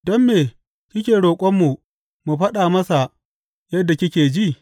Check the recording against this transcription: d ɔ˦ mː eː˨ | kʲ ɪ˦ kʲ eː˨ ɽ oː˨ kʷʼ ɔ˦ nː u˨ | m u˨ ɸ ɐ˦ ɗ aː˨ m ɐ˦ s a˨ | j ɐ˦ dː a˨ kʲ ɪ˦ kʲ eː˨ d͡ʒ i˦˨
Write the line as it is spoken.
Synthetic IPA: d ɔ˦ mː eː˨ | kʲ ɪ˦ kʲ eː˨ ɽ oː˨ kʷʼ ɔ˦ mː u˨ | m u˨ ɸ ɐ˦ ɗ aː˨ m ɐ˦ s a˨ | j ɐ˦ dː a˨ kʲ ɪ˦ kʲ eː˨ d͡ʒ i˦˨